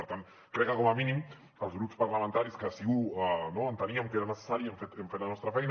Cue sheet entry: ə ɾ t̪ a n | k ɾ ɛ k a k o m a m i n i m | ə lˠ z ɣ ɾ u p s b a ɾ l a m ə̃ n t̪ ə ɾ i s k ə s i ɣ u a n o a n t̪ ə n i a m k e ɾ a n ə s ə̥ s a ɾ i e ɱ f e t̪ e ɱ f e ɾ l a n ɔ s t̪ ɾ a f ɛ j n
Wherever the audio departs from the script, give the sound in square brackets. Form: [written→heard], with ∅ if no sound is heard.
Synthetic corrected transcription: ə ɾ t̪ a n | k ɾ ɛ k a k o m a m i n i m | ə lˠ z ɣ ɾ u p s [b→p] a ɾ l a m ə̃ n t̪ [ə→a] ɾ i s k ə s i ɣ u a n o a n t̪ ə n i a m k e ɾ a n ə s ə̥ s a ɾ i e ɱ f e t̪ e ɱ f e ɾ l a n ɔ s t̪ ɾ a f ɛ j n

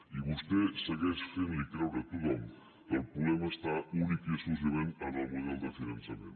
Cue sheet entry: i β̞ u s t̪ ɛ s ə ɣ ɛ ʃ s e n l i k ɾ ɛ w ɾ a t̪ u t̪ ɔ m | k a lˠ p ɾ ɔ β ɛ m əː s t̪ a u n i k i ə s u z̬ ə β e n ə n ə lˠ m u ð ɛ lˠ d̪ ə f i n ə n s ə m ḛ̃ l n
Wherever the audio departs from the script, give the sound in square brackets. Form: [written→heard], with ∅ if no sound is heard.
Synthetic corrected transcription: i β̞ u s t̪ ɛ s ə ɣ ɛ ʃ [s→f] e n l i k ɾ ɛ w ɾ [a→ə] t̪ u t̪ ɔ m | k [a→ə] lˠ p ɾ [ɔ→u] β ɛ m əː s t̪ a u n i k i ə s u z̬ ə β e n ə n ə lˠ m u ð ɛ lˠ d̪ ə f i n ə n s ə m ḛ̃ [l→∅] n

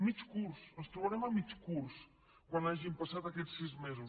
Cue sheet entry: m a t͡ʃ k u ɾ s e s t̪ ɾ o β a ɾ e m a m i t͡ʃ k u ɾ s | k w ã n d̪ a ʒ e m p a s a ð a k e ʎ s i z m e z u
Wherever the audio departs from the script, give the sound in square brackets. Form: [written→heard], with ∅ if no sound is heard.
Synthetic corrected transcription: m [a→i] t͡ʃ k u ɾ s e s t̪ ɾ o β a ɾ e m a m i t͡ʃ k u ɾ s | k w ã n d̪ a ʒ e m p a s a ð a k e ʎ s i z m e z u

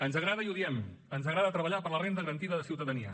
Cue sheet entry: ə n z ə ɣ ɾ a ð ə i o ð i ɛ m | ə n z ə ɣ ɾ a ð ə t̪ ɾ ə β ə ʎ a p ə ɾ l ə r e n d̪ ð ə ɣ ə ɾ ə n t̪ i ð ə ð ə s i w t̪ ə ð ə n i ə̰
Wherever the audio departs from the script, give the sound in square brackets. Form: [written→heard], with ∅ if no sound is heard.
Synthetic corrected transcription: ə n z ə ɣ ɾ a ð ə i [o→u] ð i ɛ m | ə n z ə ɣ ɾ a ð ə t̪ ɾ ə β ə ʎ a p ə ɾ l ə r e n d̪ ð ə ɣ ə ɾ ə n t̪ i ð ə ð ə s i w t̪ ə ð ə n i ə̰

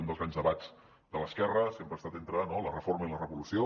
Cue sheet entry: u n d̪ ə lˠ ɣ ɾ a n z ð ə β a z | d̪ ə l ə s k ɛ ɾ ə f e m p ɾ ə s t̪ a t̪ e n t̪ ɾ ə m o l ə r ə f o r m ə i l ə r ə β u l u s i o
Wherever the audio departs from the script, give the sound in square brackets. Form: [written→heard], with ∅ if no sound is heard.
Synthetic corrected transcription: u n d̪ ə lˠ ɣ ɾ a n z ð ə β a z | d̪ ə l ə s k ɛ [ɾ→r] ə [f→s] e m p ɾ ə s t̪ a t̪ e n t̪ ɾ ə [m→n] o l ə r ə f o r m ə i l ə r ə β u l u s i o

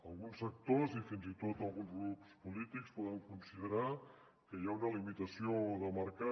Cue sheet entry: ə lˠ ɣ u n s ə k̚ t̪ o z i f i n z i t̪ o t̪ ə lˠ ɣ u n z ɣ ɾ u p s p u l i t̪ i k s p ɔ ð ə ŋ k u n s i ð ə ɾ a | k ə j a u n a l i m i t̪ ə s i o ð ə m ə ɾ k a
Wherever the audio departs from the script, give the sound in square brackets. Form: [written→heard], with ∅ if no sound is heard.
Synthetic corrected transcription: ə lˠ ɣ u n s ə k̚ t̪ o z i f i n z i t̪ o t̪ ə lˠ ɣ u n z ɣ ɾ u p s p u l i t̪ i k s p ɔ ð ə ŋ k u n s i ð ə ɾ a | k ə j a u n [a→ə] l i m i t̪ ə s i o ð ə m ə ɾ k a

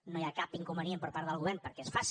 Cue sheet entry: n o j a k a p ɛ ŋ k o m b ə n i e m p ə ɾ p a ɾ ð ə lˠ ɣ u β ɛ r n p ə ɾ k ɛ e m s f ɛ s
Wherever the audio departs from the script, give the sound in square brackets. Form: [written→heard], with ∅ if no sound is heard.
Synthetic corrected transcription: n o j a k a p [ɛ→i] ŋ k [o→u] m b ə n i e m p ə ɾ p a ɾ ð ə lˠ ɣ u β ɛ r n p ə ɾ k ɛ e [m→∅] s f [ɛ→a] s

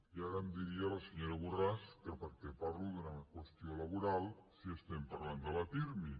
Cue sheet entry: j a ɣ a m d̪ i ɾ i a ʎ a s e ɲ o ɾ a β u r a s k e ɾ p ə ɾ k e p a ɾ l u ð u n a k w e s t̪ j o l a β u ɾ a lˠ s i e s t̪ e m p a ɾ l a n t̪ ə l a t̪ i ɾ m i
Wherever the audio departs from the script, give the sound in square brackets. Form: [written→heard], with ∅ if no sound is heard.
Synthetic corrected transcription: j a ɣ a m d̪ i ɾ i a [ʎ→l] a s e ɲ o ɾ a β u r a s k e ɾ p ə ɾ k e p a ɾ l u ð u n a k w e s t̪ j o l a β u ɾ a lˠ s i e s t̪ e m p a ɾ l a n [t̪→d̪] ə l a t̪ i ɾ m i

